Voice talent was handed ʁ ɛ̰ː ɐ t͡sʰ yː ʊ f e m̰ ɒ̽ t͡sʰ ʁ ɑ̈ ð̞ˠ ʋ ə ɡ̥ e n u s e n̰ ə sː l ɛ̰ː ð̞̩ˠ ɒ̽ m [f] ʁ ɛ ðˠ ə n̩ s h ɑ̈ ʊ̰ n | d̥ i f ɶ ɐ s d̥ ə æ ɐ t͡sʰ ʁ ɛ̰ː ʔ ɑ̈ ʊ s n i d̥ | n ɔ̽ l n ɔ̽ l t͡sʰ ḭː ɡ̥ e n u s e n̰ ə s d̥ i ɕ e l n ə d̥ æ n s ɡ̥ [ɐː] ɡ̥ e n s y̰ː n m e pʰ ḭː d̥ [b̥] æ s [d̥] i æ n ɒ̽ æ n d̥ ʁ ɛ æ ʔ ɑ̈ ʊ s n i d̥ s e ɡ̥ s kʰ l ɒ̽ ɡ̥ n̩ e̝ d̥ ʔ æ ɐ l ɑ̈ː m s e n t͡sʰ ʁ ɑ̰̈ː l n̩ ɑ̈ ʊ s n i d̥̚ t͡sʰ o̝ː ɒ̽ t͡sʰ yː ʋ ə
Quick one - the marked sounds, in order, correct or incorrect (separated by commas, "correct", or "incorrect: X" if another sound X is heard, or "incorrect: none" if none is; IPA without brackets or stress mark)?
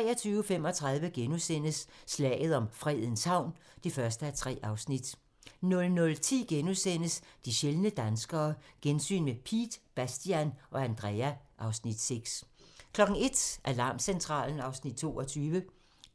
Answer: correct, correct, correct, correct